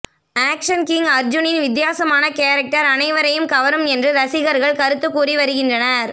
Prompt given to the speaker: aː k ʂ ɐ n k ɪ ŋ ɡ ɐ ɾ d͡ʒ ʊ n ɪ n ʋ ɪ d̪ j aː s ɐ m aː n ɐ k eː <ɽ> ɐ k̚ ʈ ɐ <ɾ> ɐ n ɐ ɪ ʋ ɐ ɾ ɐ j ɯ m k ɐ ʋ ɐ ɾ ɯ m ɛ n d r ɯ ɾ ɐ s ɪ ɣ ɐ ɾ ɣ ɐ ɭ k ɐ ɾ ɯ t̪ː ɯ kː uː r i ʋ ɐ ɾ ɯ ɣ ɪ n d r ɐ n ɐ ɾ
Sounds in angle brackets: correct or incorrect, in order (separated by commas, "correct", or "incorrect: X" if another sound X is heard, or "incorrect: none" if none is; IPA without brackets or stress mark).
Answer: incorrect: ɾ, correct